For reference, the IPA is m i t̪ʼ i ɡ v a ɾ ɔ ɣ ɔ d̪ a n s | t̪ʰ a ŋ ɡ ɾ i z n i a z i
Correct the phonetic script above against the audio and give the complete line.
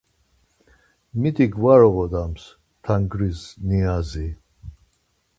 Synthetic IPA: m i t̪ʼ i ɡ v a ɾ ɔ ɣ ɔ d̪ a m s | t̪ʰ a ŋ ɡ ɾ i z n i a z i